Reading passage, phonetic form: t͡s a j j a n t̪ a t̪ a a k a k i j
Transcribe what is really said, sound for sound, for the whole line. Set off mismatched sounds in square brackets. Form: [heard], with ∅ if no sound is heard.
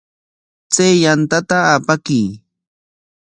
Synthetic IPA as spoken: t͡s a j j a n t̪ a t̪ a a [p] a k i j